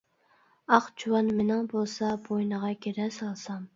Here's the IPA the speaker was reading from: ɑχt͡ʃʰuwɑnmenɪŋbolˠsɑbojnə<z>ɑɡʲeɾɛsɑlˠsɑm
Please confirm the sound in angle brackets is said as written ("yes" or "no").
no